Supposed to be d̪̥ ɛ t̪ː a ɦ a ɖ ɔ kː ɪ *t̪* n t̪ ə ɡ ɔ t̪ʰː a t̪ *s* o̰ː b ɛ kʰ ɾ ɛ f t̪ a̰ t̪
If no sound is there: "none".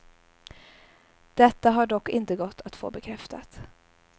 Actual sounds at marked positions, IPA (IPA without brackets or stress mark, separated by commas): none, f